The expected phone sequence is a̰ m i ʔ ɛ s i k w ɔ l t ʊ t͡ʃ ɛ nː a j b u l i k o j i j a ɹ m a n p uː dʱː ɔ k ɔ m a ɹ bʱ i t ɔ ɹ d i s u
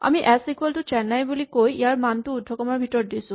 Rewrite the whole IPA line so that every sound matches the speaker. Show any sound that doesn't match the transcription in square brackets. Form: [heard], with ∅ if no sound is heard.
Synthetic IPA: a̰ m i ʔ ɛ s i k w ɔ l t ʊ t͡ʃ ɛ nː a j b u l i k o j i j a ɹ m a n [t] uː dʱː ɔ k ɔ m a ɹ bʱ i t ɔ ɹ d i s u